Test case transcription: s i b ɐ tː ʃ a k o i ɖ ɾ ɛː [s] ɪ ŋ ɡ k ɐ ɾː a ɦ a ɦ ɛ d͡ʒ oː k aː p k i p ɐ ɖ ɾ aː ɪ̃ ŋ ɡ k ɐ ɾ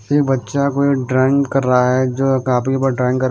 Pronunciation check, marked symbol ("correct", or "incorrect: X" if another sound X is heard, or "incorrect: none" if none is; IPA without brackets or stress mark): incorrect: none